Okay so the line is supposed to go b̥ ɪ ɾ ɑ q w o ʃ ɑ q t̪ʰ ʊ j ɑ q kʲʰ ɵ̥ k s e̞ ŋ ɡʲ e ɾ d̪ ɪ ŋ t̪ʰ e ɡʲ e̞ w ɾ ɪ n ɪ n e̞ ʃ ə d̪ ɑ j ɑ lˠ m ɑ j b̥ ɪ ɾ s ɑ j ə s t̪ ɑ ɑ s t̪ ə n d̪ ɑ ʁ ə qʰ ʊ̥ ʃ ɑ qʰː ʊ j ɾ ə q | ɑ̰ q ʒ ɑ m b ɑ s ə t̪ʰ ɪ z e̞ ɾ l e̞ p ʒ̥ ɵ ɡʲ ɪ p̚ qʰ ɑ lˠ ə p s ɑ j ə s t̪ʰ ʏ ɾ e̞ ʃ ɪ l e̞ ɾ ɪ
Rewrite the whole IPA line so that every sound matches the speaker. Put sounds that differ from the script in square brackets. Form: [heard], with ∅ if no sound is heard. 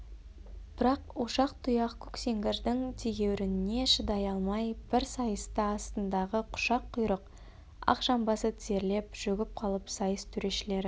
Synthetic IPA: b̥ ɪ ɾ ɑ q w o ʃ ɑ q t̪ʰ ʊ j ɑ q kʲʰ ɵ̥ k s e̞ ŋ ɡʲ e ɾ d̪ ɪ ŋ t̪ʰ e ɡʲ e̞ w ɾ ɪ n ɪ n e̞ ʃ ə d̪ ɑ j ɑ lˠ m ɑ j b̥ ɪ ɾ s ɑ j ə s t̪ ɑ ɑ s t̪ ə n d̪ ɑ ʁ ə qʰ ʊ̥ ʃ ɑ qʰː ʊ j ɾ ə q | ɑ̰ q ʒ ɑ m b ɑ s ə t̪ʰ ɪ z e̞ ɾ l e̞ p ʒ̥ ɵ ɡʲ ɪ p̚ qʰ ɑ lˠ ə p s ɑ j ə s t̪ʰ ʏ ɾ e̞ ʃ ɪ l e̞ ɾ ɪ